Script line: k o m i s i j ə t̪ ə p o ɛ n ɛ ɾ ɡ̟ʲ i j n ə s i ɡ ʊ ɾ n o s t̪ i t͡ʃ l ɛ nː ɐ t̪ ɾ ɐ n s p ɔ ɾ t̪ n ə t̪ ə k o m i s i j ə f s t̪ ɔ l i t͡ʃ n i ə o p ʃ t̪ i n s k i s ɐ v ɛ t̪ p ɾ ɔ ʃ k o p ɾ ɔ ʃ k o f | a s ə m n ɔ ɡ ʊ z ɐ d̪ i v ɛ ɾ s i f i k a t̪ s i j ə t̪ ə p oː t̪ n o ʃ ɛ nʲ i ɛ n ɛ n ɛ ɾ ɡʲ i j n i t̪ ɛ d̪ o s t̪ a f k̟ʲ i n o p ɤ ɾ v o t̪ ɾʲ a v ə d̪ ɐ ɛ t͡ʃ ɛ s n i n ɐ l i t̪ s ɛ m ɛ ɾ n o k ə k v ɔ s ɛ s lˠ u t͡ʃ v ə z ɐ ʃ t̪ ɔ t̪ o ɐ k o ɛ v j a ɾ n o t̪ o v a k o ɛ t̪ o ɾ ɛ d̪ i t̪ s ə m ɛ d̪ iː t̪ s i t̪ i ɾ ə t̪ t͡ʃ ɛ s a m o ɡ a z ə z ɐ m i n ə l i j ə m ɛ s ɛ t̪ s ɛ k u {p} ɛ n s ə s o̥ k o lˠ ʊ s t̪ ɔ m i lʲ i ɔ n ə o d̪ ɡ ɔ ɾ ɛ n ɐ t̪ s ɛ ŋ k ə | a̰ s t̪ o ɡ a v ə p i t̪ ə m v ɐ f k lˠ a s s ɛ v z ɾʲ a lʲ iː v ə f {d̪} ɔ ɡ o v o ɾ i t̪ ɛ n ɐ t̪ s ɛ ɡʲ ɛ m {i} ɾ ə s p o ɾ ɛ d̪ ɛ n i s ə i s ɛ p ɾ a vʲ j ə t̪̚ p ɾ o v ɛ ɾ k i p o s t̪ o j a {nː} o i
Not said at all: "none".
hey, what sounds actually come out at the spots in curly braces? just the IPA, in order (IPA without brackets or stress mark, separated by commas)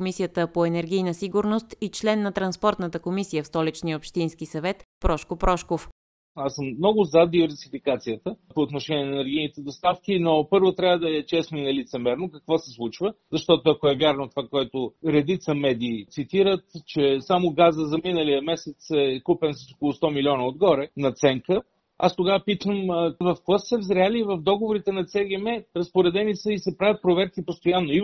p, d̪, ɛ, nː